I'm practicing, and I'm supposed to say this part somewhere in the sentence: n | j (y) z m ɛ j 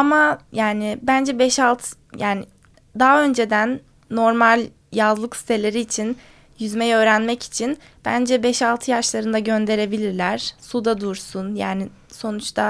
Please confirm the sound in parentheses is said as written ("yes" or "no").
yes